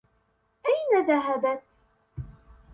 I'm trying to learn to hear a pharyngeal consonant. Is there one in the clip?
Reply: no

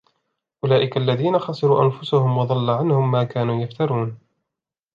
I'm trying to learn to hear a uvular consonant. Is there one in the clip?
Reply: no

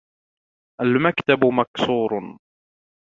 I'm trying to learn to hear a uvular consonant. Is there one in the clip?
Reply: no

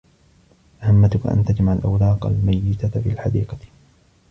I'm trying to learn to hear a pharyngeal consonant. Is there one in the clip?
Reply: yes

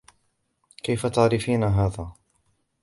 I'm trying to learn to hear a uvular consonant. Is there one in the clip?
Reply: no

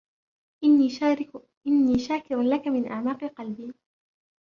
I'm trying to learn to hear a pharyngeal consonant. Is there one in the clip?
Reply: yes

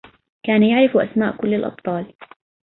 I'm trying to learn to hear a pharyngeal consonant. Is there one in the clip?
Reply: yes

